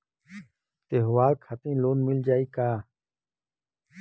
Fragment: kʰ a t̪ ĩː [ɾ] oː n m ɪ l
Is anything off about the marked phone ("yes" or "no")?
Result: yes